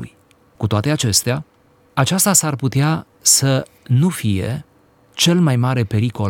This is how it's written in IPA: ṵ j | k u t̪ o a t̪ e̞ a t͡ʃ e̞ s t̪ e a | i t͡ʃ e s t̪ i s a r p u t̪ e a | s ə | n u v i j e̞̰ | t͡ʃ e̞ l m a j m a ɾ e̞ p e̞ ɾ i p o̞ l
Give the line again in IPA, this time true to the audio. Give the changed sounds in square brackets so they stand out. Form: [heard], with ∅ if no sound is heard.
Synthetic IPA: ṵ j | k u t̪ o a t̪ e̞ a t͡ʃ e̞ s t̪ e a | [a] t͡ʃ [a] s t̪ [a] s a r p u t̪ e a | s ə | n u [f] i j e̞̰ | t͡ʃ e̞ l m a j m a ɾ e̞ p e̞ ɾ i [k] o̞ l